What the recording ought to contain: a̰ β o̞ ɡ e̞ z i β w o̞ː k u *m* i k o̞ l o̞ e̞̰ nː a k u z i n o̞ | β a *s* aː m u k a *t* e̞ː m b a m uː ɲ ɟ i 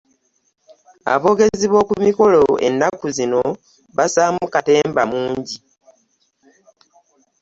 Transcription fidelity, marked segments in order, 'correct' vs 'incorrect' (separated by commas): correct, correct, correct